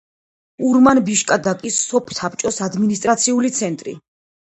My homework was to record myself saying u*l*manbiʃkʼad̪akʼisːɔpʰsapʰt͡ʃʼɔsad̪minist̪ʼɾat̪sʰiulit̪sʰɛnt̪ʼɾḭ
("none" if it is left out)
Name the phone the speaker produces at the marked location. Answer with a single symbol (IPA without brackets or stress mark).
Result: ɾ